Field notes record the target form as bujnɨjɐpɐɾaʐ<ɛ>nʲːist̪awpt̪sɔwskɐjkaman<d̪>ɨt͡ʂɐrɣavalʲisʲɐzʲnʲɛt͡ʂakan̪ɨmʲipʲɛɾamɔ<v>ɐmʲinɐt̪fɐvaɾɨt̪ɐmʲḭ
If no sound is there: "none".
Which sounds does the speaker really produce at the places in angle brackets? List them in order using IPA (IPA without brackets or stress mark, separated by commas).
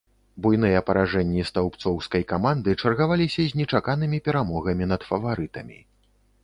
ɛ, d̪, ɣ